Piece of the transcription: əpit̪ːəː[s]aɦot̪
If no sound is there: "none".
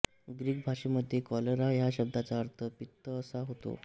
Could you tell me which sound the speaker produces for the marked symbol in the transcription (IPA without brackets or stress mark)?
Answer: s